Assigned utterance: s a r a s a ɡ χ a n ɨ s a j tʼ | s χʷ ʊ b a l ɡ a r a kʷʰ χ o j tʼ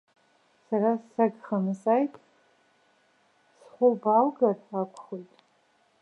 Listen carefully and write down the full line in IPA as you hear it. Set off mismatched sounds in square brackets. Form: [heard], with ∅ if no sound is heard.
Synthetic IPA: s a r a s a ɡ χ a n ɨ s a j tʼ | s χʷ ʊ b a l ɡ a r a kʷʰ χ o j tʼ